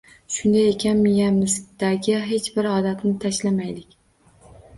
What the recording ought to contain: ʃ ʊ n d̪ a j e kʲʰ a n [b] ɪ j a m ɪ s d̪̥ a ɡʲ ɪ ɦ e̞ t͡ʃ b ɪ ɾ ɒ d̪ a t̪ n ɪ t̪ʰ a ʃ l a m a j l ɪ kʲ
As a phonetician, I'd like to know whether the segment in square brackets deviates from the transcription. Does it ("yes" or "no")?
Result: yes